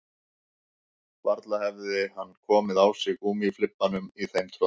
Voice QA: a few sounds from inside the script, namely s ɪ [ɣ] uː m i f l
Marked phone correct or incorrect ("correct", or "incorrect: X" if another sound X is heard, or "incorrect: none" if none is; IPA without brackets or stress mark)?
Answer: correct